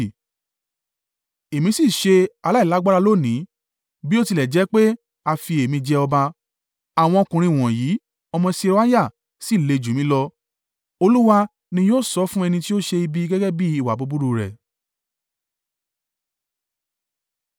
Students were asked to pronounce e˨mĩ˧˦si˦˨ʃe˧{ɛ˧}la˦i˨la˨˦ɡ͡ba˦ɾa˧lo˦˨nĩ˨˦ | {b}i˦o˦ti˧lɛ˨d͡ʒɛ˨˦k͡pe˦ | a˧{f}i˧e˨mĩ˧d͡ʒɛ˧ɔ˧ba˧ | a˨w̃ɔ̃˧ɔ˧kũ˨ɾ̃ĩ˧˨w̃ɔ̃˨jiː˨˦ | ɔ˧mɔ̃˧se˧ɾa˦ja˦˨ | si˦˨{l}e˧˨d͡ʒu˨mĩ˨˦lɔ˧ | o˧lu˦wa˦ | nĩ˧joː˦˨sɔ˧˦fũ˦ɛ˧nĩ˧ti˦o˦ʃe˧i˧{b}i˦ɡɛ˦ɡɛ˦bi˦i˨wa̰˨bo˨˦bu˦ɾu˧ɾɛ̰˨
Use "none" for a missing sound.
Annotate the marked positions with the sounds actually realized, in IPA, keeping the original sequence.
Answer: a˧, b, f, l, b

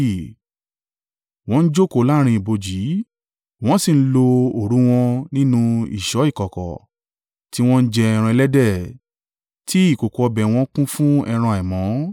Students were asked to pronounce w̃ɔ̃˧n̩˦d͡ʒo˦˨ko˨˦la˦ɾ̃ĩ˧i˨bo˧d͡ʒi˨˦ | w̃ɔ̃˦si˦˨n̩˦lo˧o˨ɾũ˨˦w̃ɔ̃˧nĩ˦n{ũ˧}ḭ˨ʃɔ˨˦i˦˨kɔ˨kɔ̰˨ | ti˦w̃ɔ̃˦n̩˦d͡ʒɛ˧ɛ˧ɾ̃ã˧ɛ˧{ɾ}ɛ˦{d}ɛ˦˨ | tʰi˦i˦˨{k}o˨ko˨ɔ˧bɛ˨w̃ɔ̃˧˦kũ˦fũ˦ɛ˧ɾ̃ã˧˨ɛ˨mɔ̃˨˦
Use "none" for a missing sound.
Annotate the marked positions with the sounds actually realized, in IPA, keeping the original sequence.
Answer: ũ˧, l, d, k

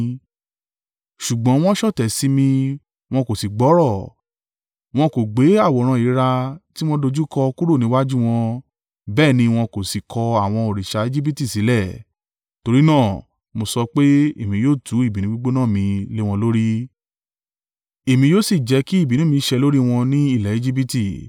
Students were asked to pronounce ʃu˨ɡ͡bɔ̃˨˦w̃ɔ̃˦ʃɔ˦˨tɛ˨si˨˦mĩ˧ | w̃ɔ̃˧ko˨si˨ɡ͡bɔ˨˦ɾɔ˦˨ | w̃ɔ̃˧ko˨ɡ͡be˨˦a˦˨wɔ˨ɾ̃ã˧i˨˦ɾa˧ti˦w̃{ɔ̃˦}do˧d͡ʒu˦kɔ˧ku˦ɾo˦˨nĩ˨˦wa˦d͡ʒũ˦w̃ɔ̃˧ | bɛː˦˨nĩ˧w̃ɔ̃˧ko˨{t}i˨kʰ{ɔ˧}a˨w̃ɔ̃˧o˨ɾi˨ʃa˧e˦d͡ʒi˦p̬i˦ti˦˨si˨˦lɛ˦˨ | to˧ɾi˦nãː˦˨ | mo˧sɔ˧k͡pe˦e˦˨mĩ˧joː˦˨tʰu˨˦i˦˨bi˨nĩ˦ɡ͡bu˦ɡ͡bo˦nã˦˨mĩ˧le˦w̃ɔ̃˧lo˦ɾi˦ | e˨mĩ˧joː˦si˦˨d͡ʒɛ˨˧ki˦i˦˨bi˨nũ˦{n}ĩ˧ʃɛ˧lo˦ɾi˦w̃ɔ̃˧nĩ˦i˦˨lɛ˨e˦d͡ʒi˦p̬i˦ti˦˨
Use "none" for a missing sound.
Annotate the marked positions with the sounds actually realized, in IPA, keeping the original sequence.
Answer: ɔ̃˦, s, ɔ˧, m

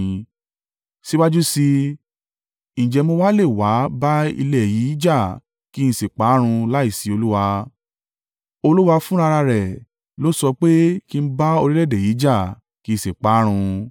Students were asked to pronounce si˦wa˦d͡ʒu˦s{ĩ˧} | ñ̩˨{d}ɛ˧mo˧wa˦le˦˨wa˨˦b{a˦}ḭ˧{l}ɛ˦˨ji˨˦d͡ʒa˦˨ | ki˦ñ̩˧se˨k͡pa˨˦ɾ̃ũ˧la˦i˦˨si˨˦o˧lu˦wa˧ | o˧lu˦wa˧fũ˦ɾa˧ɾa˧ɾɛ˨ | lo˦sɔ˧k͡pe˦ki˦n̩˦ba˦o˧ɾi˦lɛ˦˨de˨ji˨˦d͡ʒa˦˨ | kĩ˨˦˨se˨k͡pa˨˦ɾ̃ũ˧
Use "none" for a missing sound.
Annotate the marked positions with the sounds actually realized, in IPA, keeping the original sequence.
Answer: i˧, d͡ʒ, a˦, l

